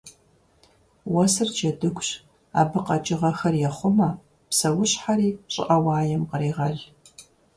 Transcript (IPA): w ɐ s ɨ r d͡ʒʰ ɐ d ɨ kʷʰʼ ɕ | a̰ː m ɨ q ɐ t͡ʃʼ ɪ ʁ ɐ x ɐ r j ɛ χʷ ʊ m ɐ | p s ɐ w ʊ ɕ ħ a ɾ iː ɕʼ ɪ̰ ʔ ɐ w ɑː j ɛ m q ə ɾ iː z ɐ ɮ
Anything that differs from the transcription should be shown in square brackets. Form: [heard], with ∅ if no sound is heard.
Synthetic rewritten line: w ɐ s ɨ r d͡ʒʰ ɐ d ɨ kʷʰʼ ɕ | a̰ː [b] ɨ q ɐ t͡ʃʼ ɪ ʁ ɐ x ɐ r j ɛ χʷ ʊ m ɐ | p s ɐ w ʊ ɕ ħ a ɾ iː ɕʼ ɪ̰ ʔ ɐ w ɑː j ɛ m q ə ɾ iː [ʁ] ɐ ɮ

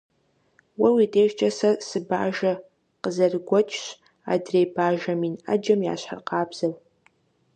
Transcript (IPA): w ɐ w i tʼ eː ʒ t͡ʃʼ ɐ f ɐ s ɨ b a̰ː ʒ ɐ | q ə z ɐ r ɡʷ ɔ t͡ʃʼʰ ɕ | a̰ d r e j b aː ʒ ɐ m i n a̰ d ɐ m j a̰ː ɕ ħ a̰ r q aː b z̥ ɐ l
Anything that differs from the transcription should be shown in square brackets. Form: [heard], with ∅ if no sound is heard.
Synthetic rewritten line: w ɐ w i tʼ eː ʒ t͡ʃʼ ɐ [s] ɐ s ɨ b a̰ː ʒ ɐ | q ə z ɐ r ɡʷ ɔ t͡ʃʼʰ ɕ | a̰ d r e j b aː ʒ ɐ m i n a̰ [d͡ʒ] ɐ m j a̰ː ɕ ħ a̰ r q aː b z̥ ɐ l

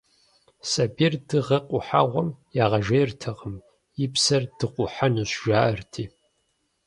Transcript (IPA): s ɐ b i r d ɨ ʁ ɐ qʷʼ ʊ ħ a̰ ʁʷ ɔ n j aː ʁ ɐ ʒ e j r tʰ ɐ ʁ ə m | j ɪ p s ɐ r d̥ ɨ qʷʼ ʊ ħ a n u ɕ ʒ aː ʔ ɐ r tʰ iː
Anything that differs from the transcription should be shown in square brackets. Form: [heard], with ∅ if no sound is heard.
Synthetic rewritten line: s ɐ b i r d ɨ ʁ ɐ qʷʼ ʊ ħ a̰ ʁʷ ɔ [m] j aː ʁ ɐ ʒ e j r tʰ ɐ ʁ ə m | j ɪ p s ɐ r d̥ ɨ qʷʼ ʊ ħ a n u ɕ ʒ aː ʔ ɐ r tʰ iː

